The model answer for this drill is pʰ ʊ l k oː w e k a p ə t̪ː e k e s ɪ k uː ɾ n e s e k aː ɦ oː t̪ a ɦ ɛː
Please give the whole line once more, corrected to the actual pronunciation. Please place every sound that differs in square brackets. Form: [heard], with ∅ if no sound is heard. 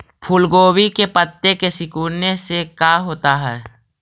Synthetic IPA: pʰ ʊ l [ɡ] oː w [i] k [e] p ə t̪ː e k e s ɪ k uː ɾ n e s e k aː ɦ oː t̪ a ɦ ɛː

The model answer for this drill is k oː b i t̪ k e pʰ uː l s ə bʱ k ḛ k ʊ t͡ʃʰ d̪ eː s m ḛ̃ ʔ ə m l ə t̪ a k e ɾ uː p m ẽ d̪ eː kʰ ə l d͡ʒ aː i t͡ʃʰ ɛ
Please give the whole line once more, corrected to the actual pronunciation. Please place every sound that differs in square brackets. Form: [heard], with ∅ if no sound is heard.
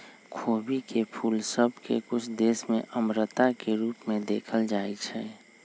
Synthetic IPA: [kʰ] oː b i [∅] k e pʰ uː l s ə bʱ k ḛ k ʊ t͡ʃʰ d̪ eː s m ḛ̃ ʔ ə m [ɾ] ə t̪ a k e ɾ uː p m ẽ d̪ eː kʰ ə l d͡ʒ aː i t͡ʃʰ ɛ

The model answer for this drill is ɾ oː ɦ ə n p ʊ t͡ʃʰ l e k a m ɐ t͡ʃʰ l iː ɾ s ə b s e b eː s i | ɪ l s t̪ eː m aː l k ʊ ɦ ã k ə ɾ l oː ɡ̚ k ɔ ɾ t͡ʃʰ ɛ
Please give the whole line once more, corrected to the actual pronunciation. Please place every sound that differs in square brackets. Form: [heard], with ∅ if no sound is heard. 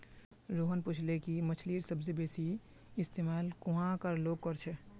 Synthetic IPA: ɾ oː ɦ ə n p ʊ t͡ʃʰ l e k [i] m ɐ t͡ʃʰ l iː ɾ s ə b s e b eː s i | ɪ [∅] s t̪ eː m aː l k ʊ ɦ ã k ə ɾ l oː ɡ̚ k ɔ ɾ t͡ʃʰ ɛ

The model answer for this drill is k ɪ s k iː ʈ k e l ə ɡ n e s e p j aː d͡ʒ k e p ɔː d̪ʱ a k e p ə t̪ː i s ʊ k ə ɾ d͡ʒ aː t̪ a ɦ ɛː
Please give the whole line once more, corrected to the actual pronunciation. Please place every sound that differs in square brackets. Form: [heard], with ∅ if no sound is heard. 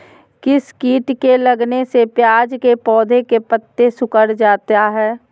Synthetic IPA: k ɪ s k iː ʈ k e l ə ɡ n e s e p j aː d͡ʒ k e p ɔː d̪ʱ [e] k e p ə t̪ː [e] s ʊ k ə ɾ d͡ʒ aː t̪ a ɦ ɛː

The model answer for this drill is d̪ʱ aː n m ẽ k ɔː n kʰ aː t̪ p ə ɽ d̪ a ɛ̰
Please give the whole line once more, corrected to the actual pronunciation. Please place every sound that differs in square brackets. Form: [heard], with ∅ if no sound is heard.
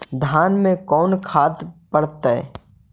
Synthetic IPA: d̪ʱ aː n m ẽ k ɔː n kʰ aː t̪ p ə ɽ [t̪] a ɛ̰

